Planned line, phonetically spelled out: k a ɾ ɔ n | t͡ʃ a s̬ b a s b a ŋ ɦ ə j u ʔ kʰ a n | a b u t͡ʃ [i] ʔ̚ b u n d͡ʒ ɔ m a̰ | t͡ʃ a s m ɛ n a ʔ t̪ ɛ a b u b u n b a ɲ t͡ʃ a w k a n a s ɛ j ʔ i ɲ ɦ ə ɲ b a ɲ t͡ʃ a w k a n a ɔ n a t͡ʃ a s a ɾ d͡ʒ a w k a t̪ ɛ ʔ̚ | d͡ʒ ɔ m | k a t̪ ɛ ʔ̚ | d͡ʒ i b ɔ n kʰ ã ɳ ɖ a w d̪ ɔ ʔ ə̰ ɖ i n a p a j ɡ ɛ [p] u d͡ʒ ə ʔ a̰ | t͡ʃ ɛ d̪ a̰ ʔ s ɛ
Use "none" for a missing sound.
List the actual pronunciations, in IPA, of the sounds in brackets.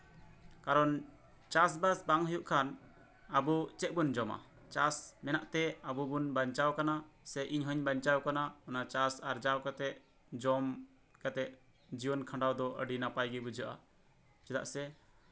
ɛ, b

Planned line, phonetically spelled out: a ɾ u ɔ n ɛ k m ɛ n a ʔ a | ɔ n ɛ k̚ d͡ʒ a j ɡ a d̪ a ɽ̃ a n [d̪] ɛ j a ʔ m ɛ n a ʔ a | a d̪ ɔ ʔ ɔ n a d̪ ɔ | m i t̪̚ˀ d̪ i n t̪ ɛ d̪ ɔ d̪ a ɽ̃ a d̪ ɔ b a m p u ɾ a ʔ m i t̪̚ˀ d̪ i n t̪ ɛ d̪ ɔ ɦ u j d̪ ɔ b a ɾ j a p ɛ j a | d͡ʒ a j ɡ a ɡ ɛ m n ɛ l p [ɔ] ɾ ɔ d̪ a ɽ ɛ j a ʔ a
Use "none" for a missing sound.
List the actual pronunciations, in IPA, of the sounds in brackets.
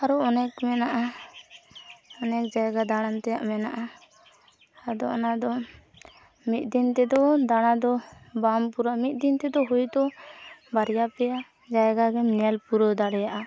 t̪, u

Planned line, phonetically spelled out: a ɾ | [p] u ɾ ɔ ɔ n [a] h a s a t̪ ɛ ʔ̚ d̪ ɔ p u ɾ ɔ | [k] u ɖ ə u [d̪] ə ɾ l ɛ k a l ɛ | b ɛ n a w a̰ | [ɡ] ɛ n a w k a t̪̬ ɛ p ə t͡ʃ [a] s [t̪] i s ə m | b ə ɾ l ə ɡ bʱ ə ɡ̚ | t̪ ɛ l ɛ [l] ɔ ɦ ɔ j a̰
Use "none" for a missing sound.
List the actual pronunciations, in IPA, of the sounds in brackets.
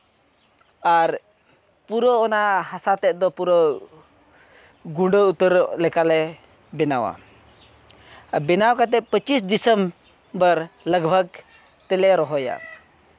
p, a, ɡ, t̪, b, i, d̪, ɾ

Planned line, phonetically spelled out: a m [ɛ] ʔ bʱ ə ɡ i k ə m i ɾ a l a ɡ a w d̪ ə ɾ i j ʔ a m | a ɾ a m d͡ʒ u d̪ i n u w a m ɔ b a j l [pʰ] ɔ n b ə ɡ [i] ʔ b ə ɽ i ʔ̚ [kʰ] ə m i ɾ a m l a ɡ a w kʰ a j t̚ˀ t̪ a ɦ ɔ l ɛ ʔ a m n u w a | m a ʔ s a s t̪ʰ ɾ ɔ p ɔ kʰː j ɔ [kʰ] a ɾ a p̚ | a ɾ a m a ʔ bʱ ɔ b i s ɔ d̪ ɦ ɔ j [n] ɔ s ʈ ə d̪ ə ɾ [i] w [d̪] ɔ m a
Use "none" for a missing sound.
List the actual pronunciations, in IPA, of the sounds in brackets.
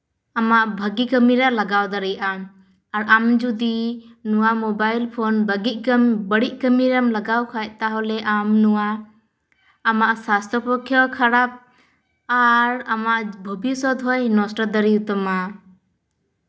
a, pʰ, i, k, kʰ, n, i, t̪

